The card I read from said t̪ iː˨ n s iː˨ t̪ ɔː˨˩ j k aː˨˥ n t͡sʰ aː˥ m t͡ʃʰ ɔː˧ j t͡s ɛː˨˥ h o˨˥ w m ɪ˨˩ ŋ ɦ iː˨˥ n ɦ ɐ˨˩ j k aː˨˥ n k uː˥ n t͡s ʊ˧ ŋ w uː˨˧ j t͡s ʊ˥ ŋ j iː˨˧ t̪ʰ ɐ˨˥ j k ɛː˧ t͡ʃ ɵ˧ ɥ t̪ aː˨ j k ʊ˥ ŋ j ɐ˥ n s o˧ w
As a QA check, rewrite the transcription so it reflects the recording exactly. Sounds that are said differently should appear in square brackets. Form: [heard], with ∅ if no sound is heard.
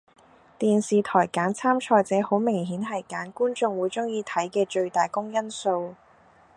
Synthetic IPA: t̪ iː˨ n s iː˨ [t̪ʰ] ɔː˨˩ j k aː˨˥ n t͡sʰ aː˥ m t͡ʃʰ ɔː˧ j t͡s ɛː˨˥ h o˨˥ w m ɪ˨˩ ŋ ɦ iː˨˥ n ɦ ɐ˨˩ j k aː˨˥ n k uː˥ n t͡s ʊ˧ ŋ w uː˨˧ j t͡s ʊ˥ ŋ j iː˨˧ t̪ʰ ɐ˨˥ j k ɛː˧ t͡ʃ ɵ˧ ɥ t̪ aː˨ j k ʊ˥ ŋ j ɐ˥ n s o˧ w